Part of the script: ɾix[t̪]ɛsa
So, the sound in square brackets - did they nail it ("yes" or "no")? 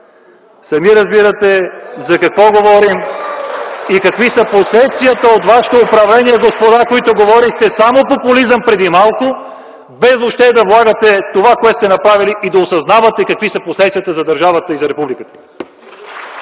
yes